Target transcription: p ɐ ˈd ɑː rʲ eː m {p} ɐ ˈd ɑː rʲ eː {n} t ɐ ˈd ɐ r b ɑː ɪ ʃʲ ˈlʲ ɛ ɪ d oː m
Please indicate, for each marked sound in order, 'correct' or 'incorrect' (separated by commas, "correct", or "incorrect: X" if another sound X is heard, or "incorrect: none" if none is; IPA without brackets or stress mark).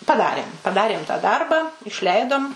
correct, incorrect: m